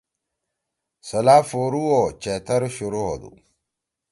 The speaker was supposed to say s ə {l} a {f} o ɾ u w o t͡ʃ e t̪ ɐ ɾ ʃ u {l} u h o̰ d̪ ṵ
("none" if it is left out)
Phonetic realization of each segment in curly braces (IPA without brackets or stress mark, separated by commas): l, f, ɾ